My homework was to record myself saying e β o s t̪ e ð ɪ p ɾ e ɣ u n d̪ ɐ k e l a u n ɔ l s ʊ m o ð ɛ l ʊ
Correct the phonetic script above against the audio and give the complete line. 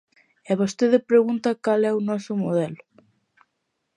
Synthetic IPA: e β o s t̪ e ð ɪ p ɾ e ɣ u n t̪ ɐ k a l ɛ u n ɔ s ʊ m o ð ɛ l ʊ